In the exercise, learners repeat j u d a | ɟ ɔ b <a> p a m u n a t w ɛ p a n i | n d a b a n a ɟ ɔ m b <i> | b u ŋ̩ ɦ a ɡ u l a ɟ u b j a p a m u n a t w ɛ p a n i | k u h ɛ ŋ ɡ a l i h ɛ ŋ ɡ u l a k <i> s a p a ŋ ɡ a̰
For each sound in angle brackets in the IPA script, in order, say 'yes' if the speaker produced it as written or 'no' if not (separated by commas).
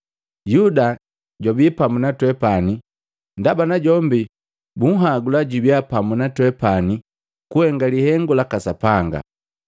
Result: no, yes, no